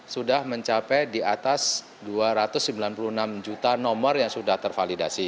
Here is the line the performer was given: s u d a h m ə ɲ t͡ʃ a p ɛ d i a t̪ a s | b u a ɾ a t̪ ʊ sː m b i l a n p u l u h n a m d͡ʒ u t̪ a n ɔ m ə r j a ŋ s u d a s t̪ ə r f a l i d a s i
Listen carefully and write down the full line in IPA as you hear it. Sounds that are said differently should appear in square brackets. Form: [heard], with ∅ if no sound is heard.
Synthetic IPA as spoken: s u d a h m ə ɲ t͡ʃ a p ɛ d i a t̪ a s | [d] u a ɾ a t̪ ʊ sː m b i l a n p u l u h n a m d͡ʒ u t̪ a n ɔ m ə r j a ŋ s u d a [h] t̪ ə r f a l i d a s i